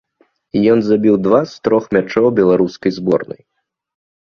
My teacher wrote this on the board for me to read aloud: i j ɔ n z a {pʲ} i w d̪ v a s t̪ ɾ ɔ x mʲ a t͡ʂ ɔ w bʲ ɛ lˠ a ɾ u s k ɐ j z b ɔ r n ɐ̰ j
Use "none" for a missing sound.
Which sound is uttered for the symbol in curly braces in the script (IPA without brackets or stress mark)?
bʲ